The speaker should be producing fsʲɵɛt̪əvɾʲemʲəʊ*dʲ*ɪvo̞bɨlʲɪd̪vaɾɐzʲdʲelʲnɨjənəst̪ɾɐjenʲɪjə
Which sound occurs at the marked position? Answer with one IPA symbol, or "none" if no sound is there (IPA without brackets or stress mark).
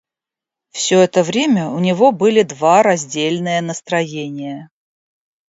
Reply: nʲ